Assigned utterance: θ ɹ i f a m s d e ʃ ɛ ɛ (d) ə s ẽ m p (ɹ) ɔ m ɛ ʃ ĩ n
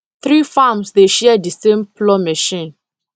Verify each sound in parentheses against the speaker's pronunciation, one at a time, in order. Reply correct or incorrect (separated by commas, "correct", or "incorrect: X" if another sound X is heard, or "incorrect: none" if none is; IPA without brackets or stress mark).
correct, incorrect: l